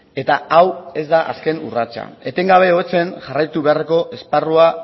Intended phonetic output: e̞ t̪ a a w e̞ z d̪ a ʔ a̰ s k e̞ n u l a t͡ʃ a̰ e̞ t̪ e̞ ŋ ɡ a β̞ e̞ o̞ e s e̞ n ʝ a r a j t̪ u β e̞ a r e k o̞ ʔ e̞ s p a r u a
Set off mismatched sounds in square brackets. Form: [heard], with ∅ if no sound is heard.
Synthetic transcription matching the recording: e̞ t̪ a a w e̞ z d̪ a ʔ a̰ s k e̞ n u [r] a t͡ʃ a̰ e̞ t̪ e̞ ŋ ɡ a β̞ e̞ o̞ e [t͡s] e̞ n ʝ a r a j t̪ u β e̞ a r e k o̞ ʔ e̞ s p a r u a